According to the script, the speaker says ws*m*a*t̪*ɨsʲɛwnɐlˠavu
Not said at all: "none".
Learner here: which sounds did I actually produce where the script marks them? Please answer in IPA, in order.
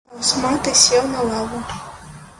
m, t̪

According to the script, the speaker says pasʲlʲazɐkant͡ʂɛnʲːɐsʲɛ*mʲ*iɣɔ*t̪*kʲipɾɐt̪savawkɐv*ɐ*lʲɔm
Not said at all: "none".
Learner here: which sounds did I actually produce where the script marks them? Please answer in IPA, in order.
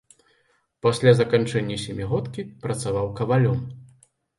mʲ, t̪, a

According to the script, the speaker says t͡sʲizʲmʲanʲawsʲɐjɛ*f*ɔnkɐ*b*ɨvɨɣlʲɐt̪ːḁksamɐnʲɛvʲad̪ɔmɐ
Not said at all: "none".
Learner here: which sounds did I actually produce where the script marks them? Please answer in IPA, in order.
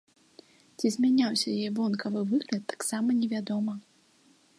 v, v

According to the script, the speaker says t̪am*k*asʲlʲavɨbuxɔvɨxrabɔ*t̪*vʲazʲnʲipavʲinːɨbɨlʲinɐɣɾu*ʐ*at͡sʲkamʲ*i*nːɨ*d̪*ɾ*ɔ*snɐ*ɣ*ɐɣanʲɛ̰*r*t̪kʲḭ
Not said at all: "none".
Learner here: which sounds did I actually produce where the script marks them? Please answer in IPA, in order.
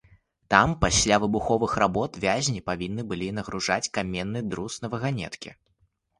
p, t̪, ʐ, ɛ, d̪, u, v, none

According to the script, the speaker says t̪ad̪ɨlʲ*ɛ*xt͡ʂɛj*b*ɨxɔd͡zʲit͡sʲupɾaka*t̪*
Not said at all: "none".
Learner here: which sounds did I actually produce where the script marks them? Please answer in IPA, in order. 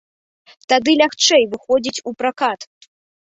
a, v, t̪

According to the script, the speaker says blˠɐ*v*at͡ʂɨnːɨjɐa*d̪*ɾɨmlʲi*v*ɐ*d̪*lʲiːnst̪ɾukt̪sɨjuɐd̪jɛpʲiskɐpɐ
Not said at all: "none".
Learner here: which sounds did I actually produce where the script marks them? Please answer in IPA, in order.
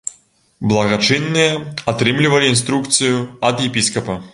ɣ, t̪, v, none

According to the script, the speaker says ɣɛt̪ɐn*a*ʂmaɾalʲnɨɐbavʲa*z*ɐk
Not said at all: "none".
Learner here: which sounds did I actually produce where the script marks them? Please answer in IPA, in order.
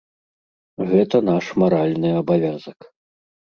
a, z

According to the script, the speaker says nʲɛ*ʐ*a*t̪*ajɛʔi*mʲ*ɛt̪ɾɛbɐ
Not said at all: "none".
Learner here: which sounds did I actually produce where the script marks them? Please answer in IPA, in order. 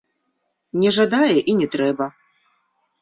ʐ, d̪, nʲ

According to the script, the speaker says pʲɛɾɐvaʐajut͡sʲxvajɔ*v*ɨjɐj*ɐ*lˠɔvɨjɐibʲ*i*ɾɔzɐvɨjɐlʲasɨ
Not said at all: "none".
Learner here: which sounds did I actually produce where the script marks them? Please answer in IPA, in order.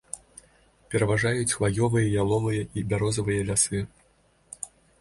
v, a, a

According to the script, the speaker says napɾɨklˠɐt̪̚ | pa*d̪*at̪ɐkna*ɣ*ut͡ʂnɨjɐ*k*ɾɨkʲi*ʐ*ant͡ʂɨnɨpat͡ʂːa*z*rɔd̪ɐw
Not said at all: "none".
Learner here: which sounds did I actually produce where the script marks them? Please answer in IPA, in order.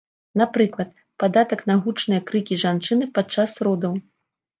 d̪, ɣ, k, ʐ, s

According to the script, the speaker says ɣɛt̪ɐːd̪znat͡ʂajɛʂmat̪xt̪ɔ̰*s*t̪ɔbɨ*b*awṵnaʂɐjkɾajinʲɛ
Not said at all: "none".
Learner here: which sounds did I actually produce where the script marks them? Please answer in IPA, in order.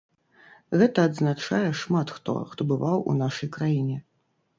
x, v

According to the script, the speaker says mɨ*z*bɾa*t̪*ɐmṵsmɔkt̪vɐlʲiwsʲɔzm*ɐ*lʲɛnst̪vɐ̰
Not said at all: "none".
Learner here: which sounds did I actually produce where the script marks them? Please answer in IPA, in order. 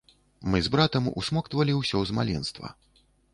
z, t̪, a

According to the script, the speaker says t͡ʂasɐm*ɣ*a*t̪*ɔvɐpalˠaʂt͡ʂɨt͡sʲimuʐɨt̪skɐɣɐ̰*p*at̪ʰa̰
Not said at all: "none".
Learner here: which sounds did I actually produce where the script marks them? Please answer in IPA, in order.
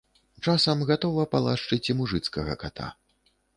ɣ, t̪, k

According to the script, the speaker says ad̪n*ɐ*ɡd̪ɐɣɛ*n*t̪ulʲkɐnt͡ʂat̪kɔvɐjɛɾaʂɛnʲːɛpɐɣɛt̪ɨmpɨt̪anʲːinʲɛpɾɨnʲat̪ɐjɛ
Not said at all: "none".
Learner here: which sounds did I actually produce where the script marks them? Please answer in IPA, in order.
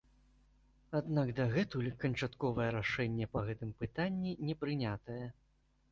a, none

